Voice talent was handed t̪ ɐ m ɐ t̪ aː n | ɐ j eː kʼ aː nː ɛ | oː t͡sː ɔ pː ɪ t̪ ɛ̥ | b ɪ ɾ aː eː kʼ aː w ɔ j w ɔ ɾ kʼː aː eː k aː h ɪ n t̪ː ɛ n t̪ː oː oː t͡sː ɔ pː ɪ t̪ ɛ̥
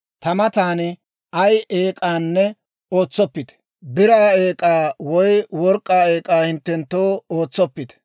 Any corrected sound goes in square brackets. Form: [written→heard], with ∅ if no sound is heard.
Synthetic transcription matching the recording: t̪ ɐ m ɐ t̪ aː n | ɐ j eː kʼ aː nː ɛ | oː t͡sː ɔ pː ɪ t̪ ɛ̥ | b ɪ ɾ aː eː kʼ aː w ɔ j w ɔ ɾ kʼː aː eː [k→kʼ] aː h ɪ n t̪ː ɛ n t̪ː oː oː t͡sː ɔ pː ɪ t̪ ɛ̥

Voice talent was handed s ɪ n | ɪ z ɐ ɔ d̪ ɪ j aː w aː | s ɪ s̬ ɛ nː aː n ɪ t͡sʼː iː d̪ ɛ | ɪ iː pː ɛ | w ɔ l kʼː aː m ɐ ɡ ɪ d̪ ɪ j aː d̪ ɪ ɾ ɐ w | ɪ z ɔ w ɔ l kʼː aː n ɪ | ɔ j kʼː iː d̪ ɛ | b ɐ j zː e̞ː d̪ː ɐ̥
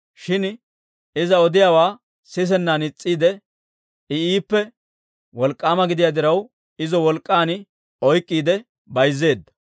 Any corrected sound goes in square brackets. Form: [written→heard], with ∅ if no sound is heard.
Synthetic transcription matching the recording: [s→ʃ] ɪ n | ɪ z ɐ ɔ d̪ ɪ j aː w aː | s ɪ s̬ ɛ nː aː n ɪ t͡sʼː iː d̪ ɛ | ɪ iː pː ɛ | w ɔ l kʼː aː m ɐ ɡ ɪ d̪ ɪ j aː d̪ ɪ ɾ ɐ w | ɪ z ɔ w ɔ l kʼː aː n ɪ | ɔ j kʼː iː d̪ ɛ | b ɐ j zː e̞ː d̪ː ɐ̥

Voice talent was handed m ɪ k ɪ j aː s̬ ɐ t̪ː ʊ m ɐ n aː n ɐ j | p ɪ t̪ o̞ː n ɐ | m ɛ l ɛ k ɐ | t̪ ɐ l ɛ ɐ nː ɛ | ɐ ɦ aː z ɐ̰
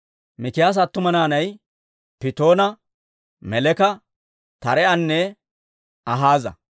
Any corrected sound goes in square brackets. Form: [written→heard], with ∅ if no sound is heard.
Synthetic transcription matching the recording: m ɪ k ɪ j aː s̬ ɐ t̪ː ʊ m ɐ n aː n ɐ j | p ɪ t̪ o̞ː n ɐ | m ɛ l ɛ k ɐ | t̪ ɐ [l→ɾ] ɛ ɐ nː ɛ | ɐ ɦ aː z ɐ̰

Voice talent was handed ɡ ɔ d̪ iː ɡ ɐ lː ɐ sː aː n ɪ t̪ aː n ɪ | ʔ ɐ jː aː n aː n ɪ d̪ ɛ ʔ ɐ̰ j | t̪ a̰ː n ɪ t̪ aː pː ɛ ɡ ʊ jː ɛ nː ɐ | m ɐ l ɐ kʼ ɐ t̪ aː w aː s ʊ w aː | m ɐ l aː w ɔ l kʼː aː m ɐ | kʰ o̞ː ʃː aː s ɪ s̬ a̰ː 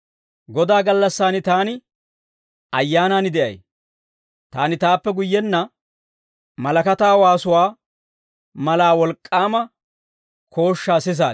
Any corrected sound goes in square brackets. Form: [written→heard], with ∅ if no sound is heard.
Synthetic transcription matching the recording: ɡ ɔ d̪ [iː→aː] ɡ ɐ lː ɐ sː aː n ɪ t̪ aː n ɪ | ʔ ɐ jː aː n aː n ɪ d̪ ɛ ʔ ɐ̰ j | t̪ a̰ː n ɪ t̪ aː pː ɛ ɡ ʊ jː ɛ nː ɐ | m ɐ l ɐ [kʼ→k] ɐ t̪ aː w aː s ʊ w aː | m ɐ l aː w ɔ l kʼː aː m ɐ | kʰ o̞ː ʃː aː s ɪ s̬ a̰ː

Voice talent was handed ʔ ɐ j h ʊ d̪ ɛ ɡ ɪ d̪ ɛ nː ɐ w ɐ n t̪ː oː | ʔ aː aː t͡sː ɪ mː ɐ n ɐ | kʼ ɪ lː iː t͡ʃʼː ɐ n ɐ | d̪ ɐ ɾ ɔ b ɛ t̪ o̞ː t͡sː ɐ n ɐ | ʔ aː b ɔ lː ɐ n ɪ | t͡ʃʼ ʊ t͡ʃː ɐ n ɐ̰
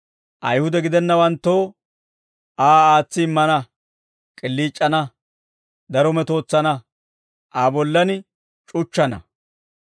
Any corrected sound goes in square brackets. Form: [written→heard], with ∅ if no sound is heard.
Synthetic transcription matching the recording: ʔ ɐ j h ʊ d̪ ɛ ɡ ɪ d̪ ɛ nː ɐ w ɐ n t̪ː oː | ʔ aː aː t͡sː ɪ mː ɐ n ɐ | kʼ ɪ lː iː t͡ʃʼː ɐ n ɐ | d̪ ɐ ɾ ɔ [b→m] ɛ t̪ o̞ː t͡sː ɐ n ɐ | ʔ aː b ɔ lː ɐ n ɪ | t͡ʃʼ ʊ t͡ʃː ɐ n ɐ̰

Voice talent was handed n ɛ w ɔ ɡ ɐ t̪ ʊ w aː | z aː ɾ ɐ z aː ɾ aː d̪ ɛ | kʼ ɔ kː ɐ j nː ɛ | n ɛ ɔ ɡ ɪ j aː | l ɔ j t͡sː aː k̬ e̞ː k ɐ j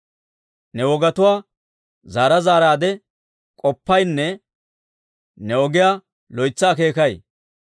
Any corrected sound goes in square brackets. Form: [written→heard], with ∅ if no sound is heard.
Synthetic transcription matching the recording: n ɛ w ɔ ɡ ɐ t̪ ʊ w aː | z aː ɾ ɐ z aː ɾ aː d̪ ɛ | kʼ ɔ [kː→pː] ɐ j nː ɛ | n ɛ ɔ ɡ ɪ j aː | l ɔ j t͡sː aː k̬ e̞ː k ɐ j

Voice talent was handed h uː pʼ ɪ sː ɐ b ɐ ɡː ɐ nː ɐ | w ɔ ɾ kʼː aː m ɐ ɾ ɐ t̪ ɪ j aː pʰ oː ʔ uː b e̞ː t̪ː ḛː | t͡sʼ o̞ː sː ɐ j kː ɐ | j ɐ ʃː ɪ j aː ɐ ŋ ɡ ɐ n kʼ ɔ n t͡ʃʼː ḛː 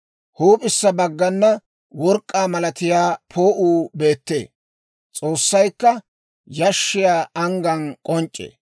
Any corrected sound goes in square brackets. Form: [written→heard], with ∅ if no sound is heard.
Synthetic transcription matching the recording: h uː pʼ ɪ sː ɐ b ɐ ɡː ɐ nː ɐ | w ɔ ɾ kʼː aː m ɐ [ɾ→l] ɐ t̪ ɪ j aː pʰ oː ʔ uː b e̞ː t̪ː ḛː | t͡sʼ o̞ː sː ɐ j kː ɐ | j ɐ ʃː ɪ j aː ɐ ŋ ɡ ɐ n kʼ ɔ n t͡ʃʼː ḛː

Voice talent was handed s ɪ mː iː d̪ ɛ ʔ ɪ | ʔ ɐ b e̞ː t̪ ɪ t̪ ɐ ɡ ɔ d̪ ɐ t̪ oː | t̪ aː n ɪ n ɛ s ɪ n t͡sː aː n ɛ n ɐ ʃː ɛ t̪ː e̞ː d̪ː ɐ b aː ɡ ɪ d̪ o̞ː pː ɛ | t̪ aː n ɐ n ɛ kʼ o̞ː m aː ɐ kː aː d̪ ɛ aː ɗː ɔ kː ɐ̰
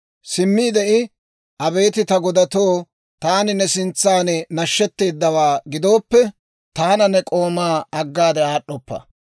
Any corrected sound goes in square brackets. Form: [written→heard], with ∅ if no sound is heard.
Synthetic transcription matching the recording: s ɪ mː iː d̪ ɛ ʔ ɪ | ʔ ɐ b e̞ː t̪ ɪ t̪ ɐ ɡ ɔ d̪ ɐ t̪ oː | t̪ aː n ɪ n ɛ s ɪ n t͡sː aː n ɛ n ɐ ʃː ɛ t̪ː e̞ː d̪ː ɐ [b→w] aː ɡ ɪ d̪ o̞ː pː ɛ | t̪ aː n ɐ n ɛ kʼ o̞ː m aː ɐ [kː→ɡː] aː d̪ ɛ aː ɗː ɔ [kː→pː] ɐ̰

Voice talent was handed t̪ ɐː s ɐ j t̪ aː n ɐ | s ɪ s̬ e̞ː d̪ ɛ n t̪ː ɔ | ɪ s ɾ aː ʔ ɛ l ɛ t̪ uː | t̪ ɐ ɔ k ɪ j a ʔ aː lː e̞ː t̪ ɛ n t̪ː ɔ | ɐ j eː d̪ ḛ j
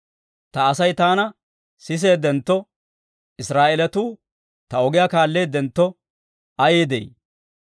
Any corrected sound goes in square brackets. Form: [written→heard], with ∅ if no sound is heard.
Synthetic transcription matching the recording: t̪ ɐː s ɐ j t̪ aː n ɐ | s ɪ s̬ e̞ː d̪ ɛ n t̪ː ɔ | ɪ s ɾ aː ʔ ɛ l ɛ t̪ uː | t̪ ɐ ɔ [k→ɡ] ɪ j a [ʔ→k] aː lː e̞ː [t̪→d̪] ɛ n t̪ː ɔ | ɐ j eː d̪ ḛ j

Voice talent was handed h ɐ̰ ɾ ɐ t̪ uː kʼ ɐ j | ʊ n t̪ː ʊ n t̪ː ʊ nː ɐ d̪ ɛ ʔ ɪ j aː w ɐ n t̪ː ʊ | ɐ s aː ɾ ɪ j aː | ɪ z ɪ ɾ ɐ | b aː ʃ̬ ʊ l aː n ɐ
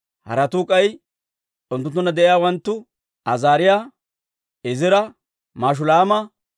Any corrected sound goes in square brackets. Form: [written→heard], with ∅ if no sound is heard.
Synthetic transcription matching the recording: h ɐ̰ ɾ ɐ t̪ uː kʼ ɐ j | ʊ n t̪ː ʊ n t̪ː ʊ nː ɐ d̪ ɛ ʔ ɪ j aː w ɐ n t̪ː ʊ | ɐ [s→z] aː ɾ ɪ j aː | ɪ z ɪ ɾ ɐ | [b→m] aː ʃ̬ ʊ l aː [n→m] ɐ

